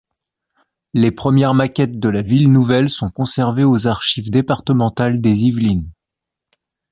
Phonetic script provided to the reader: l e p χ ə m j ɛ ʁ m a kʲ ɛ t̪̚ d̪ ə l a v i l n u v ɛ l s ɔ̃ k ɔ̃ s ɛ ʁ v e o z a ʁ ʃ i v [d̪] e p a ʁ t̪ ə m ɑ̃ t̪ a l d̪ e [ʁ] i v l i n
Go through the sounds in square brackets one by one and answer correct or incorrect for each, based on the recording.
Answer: correct, incorrect

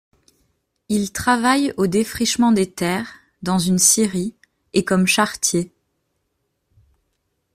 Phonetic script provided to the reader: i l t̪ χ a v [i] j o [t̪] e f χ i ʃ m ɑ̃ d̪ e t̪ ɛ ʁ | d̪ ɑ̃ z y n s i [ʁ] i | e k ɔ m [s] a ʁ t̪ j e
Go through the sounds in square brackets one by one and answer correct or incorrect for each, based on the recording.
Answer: incorrect, incorrect, correct, incorrect

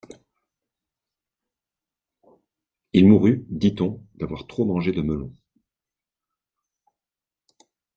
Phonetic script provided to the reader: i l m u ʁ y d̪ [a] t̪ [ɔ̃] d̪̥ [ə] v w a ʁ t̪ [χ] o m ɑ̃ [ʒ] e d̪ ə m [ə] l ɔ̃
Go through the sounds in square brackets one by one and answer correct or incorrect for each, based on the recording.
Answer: incorrect, correct, incorrect, correct, correct, correct

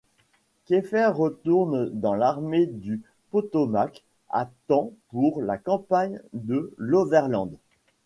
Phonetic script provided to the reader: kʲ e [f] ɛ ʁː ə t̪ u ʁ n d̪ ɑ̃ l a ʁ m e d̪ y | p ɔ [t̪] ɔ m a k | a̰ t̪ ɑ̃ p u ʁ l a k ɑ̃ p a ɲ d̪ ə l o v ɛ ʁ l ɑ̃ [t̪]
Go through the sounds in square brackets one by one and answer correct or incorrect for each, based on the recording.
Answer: correct, correct, incorrect

